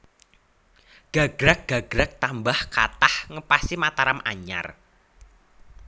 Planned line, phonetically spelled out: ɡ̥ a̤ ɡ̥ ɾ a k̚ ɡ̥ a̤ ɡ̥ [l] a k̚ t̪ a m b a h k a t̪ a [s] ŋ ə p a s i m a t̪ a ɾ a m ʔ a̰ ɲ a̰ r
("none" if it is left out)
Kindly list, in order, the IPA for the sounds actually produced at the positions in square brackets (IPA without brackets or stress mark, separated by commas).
ɾ, h